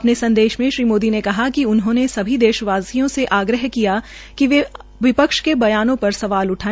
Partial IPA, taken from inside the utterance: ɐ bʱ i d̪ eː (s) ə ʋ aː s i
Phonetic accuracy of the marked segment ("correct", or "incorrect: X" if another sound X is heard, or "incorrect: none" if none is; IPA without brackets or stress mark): incorrect: ʃ